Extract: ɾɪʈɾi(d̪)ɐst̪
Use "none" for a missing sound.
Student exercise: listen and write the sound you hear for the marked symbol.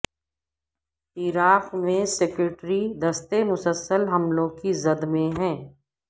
d̪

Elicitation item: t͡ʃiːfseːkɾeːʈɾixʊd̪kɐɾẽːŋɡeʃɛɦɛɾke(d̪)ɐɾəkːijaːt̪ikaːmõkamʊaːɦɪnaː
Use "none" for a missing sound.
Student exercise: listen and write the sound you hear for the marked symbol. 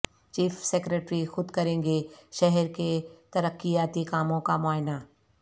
t̪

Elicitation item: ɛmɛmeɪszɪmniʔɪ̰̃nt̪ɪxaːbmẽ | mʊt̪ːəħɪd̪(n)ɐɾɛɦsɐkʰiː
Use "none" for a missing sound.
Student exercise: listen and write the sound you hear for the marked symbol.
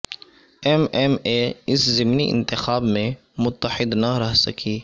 n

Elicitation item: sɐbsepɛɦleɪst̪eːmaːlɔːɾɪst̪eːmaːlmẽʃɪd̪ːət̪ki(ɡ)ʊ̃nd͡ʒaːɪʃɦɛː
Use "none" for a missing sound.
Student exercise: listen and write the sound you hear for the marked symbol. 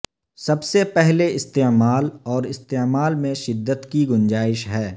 ɡ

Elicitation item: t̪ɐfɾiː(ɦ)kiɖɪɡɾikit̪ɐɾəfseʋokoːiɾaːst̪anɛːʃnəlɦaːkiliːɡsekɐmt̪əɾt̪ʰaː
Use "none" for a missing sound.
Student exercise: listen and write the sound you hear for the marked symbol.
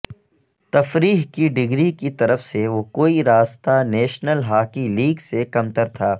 ɦ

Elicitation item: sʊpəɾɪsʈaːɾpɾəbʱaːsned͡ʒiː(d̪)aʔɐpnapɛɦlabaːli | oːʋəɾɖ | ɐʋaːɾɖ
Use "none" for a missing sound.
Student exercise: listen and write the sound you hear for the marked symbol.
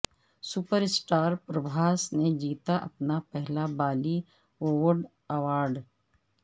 t̪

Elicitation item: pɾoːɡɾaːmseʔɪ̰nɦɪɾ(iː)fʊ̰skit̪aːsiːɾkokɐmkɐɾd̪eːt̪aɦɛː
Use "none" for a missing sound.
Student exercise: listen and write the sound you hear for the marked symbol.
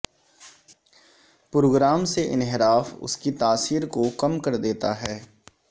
aː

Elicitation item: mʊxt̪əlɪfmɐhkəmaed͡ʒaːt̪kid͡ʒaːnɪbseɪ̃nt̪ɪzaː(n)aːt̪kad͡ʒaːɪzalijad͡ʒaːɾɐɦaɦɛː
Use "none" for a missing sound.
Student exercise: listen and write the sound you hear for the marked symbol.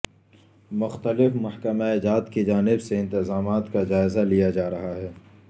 m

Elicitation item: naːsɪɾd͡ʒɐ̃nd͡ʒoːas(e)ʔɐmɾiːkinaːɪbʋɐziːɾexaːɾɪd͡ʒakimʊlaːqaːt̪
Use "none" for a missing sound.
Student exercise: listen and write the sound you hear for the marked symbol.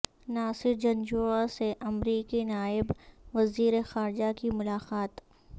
e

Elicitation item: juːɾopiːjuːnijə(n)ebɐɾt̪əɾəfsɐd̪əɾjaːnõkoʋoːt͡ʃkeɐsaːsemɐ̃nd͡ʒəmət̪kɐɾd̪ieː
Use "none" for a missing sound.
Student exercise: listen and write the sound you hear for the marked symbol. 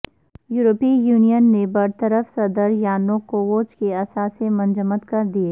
nː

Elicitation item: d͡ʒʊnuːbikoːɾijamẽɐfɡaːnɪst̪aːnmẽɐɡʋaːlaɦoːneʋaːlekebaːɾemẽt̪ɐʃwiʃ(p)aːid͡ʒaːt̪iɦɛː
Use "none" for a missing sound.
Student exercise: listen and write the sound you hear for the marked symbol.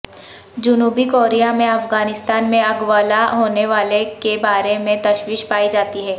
p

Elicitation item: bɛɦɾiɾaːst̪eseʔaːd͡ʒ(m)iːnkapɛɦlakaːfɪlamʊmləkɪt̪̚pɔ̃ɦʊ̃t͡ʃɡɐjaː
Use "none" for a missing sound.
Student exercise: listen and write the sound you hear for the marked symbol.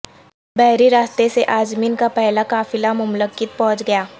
m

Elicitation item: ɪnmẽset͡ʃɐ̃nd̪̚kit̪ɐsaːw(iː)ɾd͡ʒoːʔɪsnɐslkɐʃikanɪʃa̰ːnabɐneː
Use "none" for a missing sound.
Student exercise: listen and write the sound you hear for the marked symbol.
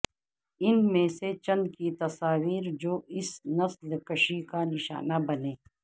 iː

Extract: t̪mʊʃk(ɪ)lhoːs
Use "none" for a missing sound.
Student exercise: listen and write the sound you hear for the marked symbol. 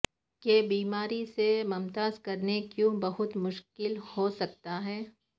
ɪ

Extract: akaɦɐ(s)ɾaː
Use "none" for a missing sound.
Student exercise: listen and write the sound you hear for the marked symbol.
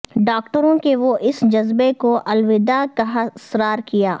s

